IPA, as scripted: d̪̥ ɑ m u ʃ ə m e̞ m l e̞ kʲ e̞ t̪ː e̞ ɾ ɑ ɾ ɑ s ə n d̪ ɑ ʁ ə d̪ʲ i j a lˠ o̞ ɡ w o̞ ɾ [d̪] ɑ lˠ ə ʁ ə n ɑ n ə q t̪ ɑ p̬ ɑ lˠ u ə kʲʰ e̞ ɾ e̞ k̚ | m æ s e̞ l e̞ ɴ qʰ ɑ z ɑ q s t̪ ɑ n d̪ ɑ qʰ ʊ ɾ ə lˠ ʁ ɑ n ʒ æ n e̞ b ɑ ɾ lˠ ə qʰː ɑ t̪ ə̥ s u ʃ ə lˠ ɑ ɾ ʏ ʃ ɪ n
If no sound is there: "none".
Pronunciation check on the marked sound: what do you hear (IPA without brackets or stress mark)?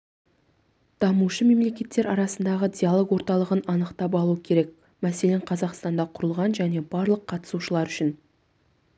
t̪